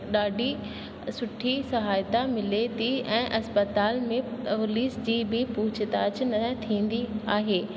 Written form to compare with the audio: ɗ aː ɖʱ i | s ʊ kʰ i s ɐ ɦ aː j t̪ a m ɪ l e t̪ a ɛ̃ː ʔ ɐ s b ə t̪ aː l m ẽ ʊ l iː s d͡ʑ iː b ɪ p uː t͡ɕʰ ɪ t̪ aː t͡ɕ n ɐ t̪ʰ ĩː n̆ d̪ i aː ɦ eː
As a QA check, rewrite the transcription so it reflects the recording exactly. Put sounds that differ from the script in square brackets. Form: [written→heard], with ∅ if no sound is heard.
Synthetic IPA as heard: ɗ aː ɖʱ i | s ʊ [kʰ→ʈʰ] i s ɐ ɦ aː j t̪ a m ɪ l e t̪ [a→i] ɛ̃ː ʔ ɐ s [b→p] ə t̪ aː l m ẽ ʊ l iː s d͡ʑ iː b ɪ p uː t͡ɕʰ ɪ t̪ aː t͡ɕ n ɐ t̪ʰ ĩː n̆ d̪ i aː ɦ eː